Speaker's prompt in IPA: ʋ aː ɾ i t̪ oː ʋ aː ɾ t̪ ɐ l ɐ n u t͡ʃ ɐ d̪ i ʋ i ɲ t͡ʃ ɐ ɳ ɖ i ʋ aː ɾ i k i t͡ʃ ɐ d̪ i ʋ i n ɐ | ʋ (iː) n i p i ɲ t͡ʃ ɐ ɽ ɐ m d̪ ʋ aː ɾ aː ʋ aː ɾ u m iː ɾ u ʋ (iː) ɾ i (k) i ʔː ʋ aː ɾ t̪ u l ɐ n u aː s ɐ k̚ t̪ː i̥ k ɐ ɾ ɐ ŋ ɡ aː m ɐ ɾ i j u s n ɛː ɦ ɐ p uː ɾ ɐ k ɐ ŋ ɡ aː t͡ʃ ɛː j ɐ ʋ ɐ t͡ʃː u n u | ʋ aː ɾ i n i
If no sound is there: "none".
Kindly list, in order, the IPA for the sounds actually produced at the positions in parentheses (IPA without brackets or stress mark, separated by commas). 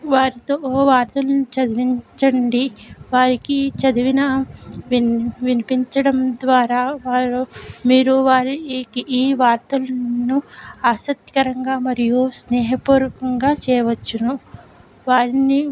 i, aː, k